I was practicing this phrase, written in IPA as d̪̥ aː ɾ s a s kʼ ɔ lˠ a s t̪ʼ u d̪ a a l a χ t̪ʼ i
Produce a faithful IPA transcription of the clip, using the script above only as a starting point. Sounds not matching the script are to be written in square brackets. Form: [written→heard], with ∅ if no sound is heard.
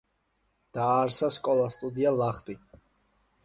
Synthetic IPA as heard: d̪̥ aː ɾ s a s kʼ ɔ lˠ a s t̪ʼ u d̪ [a→i] a l a χ t̪ʼ i